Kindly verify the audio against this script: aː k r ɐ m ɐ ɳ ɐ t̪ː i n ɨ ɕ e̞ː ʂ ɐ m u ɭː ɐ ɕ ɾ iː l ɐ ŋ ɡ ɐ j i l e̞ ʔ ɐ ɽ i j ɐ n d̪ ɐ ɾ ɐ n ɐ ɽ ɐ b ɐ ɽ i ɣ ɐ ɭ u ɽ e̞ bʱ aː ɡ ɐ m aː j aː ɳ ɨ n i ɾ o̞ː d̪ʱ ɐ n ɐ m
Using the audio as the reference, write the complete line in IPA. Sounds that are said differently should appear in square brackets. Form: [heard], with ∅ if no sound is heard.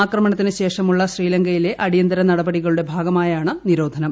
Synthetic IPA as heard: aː k r ɐ m ɐ ɳ ɐ t̪ː i n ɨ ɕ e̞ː ʂ ɐ m u ɭː ɐ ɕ [r] iː l ɐ ŋ ɡ ɐ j i l e̞ ʔ ɐ ɽ i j ɐ n d̪ ɐ ɾ ɐ n ɐ ɽ ɐ b ɐ ɽ i ɣ ɐ ɭ u ɽ e̞ bʱ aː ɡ ɐ m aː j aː ɳ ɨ n i ɾ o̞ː d̪ʱ ɐ n ɐ m